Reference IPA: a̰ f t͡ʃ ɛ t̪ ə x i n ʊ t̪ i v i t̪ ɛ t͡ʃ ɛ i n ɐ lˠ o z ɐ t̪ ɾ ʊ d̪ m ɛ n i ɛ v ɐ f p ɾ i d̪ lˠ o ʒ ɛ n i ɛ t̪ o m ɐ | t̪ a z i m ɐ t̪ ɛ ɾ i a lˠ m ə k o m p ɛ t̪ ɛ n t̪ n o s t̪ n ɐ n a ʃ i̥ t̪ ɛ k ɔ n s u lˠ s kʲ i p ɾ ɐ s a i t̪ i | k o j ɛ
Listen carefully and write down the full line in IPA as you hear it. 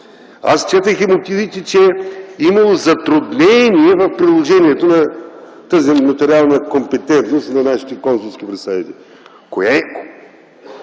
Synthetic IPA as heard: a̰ s t͡ʃ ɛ t̪ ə x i m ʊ t̪ i v i t̪ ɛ t͡ʃ ɛ i m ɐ lˠ o z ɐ t̪ ɾ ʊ d̪ n ɛ n i ɛ v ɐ f p ɾ i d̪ lˠ o ʒ ɛ n i ɛ t̪ o n ɐ | t̪ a z i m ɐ t̪ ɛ ɾ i a lˠ n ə k o m p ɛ t̪ ɛ n t̪ n o s t̪ n ɐ n a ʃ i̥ t̪ ɛ k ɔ n s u lˠ s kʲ i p ɾ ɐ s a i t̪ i | k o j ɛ